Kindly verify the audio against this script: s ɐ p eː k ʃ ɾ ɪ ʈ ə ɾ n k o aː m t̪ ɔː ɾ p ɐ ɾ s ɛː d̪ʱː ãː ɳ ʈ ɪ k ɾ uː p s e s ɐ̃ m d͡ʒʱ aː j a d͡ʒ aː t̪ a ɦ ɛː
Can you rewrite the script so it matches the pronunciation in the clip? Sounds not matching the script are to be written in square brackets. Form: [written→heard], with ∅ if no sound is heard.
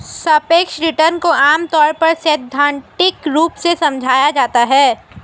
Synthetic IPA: s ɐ p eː k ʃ ɾ ɪ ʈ ə ɾ n k o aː m t̪ ɔː ɾ p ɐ ɾ s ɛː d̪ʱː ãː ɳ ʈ ɪ k ɾ uː p s e s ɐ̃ m d͡ʒʱ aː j a d͡ʒ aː t̪ a ɦ ɛː